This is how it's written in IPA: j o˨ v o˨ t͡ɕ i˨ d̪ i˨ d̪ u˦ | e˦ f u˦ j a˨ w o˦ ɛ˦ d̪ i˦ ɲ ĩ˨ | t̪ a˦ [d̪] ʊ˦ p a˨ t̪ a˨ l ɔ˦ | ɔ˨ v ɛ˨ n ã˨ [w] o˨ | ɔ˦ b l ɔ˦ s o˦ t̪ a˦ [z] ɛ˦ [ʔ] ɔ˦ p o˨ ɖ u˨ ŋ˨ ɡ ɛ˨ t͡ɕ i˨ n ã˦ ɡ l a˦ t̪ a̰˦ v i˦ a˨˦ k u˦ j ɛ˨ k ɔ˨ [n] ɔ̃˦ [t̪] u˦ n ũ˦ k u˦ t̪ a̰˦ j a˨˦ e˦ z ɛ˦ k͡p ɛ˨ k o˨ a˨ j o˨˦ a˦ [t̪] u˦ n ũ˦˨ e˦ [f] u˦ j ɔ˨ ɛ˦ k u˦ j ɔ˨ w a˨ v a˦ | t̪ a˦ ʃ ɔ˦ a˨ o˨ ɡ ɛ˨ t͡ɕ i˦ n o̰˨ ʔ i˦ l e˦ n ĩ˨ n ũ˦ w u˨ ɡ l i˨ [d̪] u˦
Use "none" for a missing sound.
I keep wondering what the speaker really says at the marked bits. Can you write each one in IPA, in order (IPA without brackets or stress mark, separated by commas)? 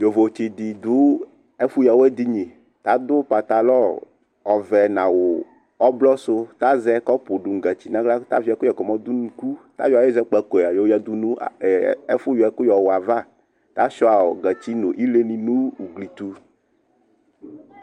d̪, w, z, k, m, d̪, d̪, f, t̪